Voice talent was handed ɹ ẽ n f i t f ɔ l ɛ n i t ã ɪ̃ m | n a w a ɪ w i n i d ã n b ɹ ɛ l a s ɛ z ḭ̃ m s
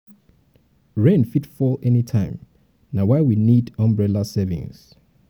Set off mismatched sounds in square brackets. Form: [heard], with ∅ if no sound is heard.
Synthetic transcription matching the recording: ɹ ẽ n f i t f ɔ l ɛ n i [tʰ] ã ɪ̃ m | n a w a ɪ w i n i d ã [m] b ɹ ɛ l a s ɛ [v] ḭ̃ [ŋ] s

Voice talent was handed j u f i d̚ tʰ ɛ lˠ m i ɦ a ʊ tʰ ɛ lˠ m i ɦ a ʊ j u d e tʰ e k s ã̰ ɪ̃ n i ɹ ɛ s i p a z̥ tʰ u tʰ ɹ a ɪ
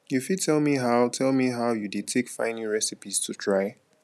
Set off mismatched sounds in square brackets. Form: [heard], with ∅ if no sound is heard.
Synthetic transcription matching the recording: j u f i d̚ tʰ ɛ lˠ m i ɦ a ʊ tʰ ɛ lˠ m i ɦ a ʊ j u d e tʰ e k [f] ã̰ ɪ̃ n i ɹ ɛ s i p [i] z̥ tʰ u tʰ ɹ a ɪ

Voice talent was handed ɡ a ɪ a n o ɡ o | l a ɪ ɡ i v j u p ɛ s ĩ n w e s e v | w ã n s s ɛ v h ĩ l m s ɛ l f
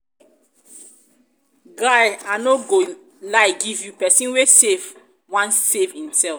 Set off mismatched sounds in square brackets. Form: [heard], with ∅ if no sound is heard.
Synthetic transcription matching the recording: ɡ a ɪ a n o ɡ o | l a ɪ ɡ i v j u p ɛ s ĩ n w e s e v | w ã n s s [e] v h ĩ [∅] m s ɛ l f

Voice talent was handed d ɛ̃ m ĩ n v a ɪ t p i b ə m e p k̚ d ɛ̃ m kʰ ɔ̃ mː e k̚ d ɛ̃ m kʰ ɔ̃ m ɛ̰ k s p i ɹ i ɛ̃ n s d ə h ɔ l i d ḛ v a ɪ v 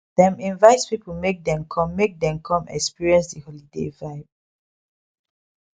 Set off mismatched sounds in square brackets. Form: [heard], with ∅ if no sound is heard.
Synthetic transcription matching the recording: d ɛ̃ m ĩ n v a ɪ t p i [p] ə m e [∅] k̚ d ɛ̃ m kʰ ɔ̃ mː e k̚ d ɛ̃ m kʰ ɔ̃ m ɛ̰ k s p i ɹ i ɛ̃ n s d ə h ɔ l i d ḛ v a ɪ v

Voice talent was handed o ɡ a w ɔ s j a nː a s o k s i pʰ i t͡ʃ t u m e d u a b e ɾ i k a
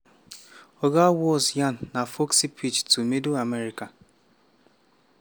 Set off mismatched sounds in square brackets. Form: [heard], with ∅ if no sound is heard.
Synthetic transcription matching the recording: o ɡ a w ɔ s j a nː a [f] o k s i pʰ i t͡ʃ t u m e d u a [m] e ɾ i k a

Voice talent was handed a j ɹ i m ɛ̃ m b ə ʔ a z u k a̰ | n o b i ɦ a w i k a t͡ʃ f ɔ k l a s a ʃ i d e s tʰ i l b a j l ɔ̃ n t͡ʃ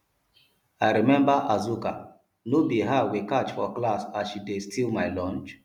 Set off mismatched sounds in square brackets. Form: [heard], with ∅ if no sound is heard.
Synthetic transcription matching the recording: a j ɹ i m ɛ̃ m b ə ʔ a z u k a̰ | n o b i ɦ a w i k a t͡ʃ f ɔ k l a s a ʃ i d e s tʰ i l [m] a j l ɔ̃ n t͡ʃ

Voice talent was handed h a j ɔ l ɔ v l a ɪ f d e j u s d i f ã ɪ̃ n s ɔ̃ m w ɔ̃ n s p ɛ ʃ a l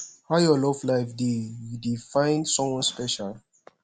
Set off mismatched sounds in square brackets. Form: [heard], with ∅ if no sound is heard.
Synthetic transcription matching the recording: h a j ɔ l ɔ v l a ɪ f d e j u [∅] d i f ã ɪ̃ n s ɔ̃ m w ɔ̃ n s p ɛ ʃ a l

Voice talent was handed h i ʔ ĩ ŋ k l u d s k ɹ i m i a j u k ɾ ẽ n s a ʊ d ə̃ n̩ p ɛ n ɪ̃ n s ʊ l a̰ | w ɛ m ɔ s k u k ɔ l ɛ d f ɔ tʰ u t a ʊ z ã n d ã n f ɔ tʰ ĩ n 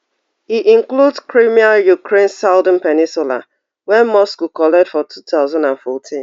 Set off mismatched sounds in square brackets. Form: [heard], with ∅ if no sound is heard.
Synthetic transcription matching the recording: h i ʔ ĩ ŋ k l u d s k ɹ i m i a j u k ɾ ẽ n s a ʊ d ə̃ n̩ p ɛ n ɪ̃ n s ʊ l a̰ | w ɛ m ɔ s k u k ɔ l ɛ d f ɔ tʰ u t a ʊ z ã n d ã n f ɔ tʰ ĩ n

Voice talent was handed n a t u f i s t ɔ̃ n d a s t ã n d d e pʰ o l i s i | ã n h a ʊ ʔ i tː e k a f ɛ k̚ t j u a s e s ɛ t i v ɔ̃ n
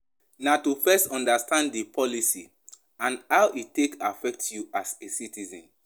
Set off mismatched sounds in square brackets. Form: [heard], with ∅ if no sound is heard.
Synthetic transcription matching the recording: n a t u f [ɛ] s t ɔ̃ n d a s t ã n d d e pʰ [ɔ] l i s i | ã n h a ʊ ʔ i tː e k a f ɛ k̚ t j u a s e s [i] t i [z] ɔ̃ n

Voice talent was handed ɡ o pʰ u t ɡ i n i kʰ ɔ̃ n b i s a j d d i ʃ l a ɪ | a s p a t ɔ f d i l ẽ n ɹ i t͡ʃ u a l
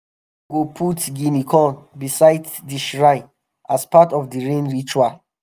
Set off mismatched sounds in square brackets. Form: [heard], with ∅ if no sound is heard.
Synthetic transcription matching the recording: ɡ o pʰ u t ɡ i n i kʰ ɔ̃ n b i s a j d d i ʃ [ɹ] a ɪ | a s p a t ɔ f d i [ɹ] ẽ n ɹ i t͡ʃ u a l

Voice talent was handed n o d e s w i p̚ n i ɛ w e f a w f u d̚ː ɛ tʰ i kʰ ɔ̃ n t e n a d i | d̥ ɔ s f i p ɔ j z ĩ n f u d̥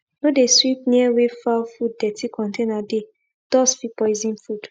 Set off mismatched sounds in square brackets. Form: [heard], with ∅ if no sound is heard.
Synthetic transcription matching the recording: n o d e s w i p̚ n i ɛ w e f a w f u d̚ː ɛ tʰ i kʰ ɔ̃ n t e n a d [e] | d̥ ɔ s f i p ɔ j z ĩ n f u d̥

